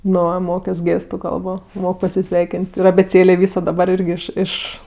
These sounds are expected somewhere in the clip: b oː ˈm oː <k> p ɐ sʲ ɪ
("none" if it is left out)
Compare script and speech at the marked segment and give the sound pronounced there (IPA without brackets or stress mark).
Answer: k